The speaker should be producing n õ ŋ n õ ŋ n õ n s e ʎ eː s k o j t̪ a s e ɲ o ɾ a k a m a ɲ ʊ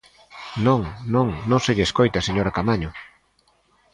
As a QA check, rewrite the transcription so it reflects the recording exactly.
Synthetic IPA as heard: n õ ŋ n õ ŋ n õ ŋ s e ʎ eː s k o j t̪ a s e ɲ o ɾ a k a m a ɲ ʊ